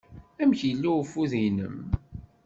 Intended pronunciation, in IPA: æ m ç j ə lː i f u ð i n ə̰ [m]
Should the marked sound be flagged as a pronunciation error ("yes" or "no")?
no